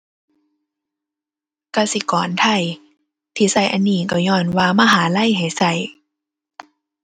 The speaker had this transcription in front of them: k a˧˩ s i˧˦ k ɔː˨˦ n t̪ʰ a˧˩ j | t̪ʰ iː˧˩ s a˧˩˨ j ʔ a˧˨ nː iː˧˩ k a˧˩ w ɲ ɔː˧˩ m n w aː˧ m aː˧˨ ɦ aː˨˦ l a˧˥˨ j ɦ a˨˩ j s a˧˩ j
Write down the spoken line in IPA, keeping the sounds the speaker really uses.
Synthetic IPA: k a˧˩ s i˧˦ k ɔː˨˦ n t̪ʰ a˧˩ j | t̪ʰ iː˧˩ s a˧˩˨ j ʔ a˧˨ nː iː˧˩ k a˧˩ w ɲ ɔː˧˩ n w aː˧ m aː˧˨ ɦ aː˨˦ l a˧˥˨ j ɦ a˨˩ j s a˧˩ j